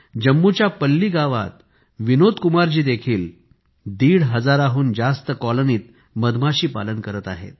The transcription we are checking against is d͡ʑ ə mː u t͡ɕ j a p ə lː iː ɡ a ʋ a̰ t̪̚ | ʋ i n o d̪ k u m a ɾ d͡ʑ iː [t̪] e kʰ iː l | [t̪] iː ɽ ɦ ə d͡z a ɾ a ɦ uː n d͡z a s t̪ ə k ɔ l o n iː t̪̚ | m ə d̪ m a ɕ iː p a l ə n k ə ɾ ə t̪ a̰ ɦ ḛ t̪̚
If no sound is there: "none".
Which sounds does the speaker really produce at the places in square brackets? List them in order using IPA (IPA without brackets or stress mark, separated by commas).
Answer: d̪, d̪